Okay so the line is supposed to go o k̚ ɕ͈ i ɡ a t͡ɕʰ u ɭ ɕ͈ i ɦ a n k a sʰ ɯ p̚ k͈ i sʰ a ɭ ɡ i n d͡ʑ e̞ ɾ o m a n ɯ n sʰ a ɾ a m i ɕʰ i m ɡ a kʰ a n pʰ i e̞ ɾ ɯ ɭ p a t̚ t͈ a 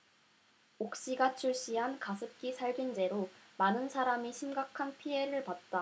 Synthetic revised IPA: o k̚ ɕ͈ i ɡ a t͡ɕʰ u ɭ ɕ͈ i ɦ a n k a sʰ ɯ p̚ k͈ i sʰ a ɭ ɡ i n d͡ʑ e̞ ɾ o m a n ɯ n sʰ a ɾ a m i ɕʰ i m ɡ a kʰ a n pʰ i e̞ ɾ ɯ ɭ p a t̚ t͈ a